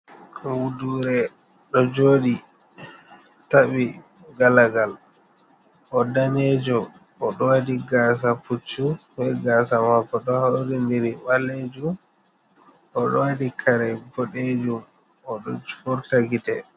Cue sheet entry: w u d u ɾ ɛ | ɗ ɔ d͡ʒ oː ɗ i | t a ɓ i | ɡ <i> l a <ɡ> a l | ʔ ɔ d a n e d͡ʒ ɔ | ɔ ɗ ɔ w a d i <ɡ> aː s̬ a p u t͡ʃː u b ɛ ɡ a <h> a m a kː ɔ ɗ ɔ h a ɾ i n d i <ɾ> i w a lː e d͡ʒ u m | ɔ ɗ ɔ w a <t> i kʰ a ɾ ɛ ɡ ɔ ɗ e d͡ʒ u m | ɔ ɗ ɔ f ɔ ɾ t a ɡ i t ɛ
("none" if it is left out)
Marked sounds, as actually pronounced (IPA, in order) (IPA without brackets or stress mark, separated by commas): a, ɡ, ɡ, s, ɾ, d